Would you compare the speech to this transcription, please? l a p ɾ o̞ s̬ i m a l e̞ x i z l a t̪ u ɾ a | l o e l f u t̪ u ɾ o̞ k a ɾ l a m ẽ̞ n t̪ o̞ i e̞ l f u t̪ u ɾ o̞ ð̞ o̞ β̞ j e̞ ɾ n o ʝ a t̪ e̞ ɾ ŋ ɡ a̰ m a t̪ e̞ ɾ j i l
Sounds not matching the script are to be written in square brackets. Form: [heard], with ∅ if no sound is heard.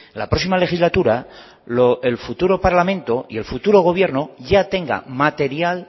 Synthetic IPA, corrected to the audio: l a p ɾ o̞ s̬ i m a l e̞ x i z l a t̪ u ɾ a | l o e l f u t̪ u ɾ o̞ [p] a ɾ l a m ẽ̞ n t̪ o̞ i e̞ l f u t̪ u ɾ o̞ [ɣ̞] o̞ β̞ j e̞ ɾ n o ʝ a t̪ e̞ [∅] ŋ ɡ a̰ m a t̪ e̞ ɾ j [a] l